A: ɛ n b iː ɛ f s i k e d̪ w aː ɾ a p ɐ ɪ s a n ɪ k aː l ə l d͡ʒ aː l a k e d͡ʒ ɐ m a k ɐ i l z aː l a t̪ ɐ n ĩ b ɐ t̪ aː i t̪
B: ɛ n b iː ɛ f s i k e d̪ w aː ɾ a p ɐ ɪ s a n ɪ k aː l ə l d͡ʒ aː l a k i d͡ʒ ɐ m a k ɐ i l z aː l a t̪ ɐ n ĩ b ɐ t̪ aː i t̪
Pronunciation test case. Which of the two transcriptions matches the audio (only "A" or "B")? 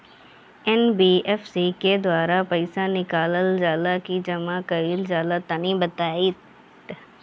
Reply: B